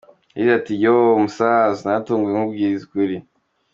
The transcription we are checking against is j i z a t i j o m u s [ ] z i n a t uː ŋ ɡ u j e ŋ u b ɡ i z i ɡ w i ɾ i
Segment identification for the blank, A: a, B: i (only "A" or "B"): A